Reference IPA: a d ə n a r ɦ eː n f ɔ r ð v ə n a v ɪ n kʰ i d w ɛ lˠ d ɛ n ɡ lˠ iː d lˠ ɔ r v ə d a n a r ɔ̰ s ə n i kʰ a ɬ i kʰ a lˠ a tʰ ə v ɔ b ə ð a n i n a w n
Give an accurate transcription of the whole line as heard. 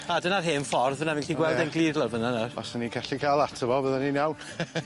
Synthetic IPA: a d ə n a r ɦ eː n f ɔ r ð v ə n a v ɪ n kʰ i ɡ w ɛ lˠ d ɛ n ɡ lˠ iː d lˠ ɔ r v ə n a n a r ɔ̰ s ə n i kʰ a ɬ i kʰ a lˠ a tʰ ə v ɔ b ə ð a n i n a w n